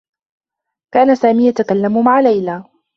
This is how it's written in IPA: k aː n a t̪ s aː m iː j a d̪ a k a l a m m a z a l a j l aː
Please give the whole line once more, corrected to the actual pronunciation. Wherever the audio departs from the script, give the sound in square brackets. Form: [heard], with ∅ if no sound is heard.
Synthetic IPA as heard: k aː n a [∅] s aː m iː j a [t̪] a k a [lː] a m m a [ʕ] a l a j l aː